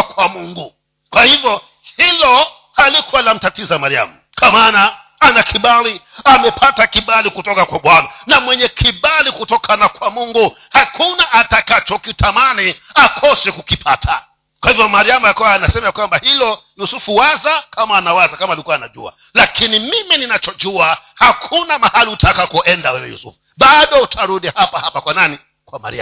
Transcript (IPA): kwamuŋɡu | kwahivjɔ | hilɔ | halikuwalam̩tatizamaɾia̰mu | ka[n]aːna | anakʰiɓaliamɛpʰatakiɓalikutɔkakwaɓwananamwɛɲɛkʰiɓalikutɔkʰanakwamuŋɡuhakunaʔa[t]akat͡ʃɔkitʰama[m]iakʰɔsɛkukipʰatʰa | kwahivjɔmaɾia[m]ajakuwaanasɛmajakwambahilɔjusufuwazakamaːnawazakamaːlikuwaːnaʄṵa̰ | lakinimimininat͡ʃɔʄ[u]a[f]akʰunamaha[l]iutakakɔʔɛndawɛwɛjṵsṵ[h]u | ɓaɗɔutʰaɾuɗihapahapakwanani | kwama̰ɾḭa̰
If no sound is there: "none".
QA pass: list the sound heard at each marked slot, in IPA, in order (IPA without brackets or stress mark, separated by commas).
m, t, n, m, u, h, l, f